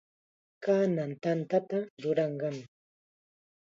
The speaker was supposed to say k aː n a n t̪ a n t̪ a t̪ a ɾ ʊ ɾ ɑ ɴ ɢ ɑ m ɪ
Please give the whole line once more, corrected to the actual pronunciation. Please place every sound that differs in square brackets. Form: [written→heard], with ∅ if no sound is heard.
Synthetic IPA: k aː n a n t̪ a n t̪ a t̪ a ɾ ʊ ɾ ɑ ɴ ɢ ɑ m ɪ